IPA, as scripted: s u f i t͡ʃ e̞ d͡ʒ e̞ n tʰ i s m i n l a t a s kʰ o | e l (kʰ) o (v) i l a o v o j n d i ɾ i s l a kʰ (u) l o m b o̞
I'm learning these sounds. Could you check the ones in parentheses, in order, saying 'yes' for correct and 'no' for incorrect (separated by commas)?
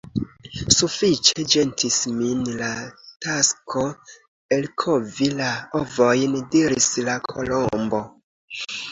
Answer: yes, yes, no